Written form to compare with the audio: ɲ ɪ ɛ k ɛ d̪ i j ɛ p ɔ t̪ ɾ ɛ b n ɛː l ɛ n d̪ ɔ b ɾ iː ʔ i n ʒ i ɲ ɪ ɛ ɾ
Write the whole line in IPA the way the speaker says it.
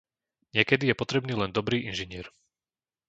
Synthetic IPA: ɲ ɪ ɛ k ɛ d̪ i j ɛ p ɔ t̪ ɾ ɛ b n iː l ɛ n d̪ ɔ b ɾ iː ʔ i n ʒ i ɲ ɪ ɛ ɾ